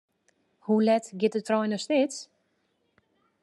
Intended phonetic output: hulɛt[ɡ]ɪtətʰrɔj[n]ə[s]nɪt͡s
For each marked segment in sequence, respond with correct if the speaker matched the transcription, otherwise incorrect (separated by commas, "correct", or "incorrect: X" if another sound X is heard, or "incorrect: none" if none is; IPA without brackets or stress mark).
correct, correct, correct